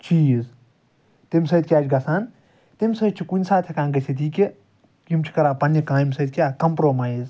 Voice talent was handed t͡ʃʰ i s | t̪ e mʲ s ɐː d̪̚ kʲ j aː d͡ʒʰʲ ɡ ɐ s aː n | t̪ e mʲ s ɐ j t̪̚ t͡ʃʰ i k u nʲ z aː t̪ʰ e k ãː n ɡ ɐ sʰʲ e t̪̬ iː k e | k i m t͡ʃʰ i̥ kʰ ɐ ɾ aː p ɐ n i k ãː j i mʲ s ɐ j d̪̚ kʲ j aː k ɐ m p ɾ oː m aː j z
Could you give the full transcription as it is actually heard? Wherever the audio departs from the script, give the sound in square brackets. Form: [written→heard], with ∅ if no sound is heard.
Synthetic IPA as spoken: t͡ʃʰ i [s→z] | t̪ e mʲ s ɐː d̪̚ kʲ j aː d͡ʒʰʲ ɡ ɐ s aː n | t̪ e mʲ s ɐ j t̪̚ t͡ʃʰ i k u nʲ [z→s] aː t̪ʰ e k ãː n ɡ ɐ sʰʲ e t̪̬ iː k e | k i m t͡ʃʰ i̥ [kʰ→k] ɐ ɾ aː p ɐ n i k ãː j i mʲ s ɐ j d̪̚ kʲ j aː k ɐ m p ɾ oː m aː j z